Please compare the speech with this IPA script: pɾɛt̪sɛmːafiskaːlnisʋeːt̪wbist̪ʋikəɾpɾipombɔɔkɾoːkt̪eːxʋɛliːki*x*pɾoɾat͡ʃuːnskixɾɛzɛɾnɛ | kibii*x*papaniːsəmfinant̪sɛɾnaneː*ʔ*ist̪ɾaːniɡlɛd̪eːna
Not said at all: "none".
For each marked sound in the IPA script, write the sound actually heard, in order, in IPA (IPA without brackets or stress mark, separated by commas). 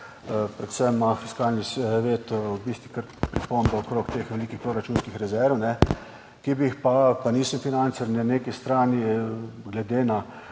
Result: x, x, k